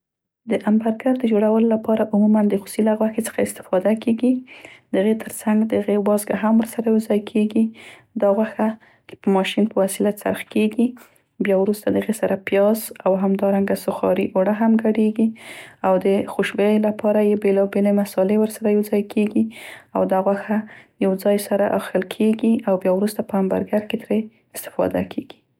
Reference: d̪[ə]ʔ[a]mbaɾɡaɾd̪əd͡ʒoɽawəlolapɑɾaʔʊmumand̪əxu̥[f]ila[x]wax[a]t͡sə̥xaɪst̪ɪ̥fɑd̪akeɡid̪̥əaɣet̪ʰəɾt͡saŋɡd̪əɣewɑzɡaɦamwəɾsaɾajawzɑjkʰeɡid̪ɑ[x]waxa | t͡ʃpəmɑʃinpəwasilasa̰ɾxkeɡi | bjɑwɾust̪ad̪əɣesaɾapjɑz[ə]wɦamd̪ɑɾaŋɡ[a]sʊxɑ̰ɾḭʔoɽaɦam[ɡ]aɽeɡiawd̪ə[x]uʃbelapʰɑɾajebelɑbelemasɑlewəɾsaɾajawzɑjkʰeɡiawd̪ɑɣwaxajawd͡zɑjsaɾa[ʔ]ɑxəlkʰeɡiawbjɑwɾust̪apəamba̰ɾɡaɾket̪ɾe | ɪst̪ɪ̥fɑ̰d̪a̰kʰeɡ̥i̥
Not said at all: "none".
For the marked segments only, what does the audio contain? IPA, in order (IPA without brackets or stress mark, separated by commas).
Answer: ə, a, s, ɣ, e, ɣ, a, a, ɡ, x, ʔ